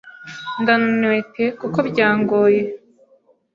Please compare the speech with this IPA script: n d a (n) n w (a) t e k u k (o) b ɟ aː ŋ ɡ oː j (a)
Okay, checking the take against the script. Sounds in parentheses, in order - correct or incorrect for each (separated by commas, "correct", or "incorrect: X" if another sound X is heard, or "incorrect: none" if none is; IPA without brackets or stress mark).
correct, incorrect: e, correct, incorrect: e